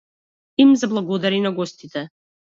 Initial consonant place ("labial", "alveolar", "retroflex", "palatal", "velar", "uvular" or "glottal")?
labial